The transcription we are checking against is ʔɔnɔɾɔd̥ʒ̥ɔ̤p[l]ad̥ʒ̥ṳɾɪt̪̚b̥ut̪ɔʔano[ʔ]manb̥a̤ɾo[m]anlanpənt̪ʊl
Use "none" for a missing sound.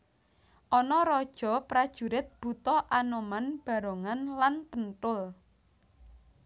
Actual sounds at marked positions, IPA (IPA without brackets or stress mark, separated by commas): ɾ, none, ŋ